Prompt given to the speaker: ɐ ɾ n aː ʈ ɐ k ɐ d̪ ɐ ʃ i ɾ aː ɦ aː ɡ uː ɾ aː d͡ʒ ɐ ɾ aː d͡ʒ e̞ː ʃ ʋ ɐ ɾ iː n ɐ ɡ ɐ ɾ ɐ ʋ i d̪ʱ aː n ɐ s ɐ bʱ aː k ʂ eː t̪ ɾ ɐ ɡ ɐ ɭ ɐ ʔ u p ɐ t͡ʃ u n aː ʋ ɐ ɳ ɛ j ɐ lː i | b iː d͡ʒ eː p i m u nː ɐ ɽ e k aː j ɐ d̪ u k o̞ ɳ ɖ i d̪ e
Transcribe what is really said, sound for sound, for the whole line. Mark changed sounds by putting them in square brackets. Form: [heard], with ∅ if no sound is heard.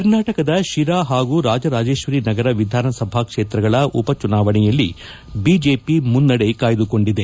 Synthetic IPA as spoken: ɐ ɾ n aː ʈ ɐ k ɐ d̪ ɐ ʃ i ɾ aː ɦ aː ɡ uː ɾ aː d͡ʒ ɐ ɾ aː d͡ʒ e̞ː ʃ ʋ ɐ ɾ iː n ɐ ɡ ɐ ɾ ɐ ʋ i d̪ʱ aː n ɐ s ɐ bʱ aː k ʂ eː t̪ ɾ ɐ ɡ ɐ ɭ ɐ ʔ u p ɐ t͡ʃ u n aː ʋ ɐ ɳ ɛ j ɐ lː i | b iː d͡ʒ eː p i m u nː ɐ ɽ e k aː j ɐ d̪ u k o̞ ɳ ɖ i d̪ e